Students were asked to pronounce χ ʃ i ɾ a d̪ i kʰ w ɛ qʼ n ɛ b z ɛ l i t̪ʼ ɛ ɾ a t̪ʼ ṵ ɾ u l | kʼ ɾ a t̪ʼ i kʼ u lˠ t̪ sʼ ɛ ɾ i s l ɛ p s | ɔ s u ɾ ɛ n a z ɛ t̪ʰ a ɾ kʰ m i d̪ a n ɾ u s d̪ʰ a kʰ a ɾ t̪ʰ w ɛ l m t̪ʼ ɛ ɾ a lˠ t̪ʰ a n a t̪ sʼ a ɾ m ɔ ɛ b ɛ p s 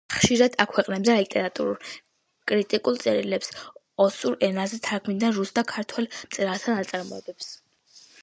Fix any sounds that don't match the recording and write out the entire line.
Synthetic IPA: χ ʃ i ɾ a d̪ a kʰ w ɛ qʼ n ɛ b z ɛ l i t̪ʼ ɛ ɾ a t̪ʼ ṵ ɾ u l | kʼ ɾ i t̪ʼ i kʼ u lˠ t̪ sʼ ɛ ɾ i l ɛ p s | ɔ s u ɾ ɛ n a z ɛ t̪ʰ a ɾ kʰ m i d̪ a n ɾ u s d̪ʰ a kʰ a ɾ t̪ʰ w ɛ l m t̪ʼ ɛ ɾ a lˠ t̪ʰ a n a t̪ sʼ a ɾ m ɔ ɛ b ɛ p s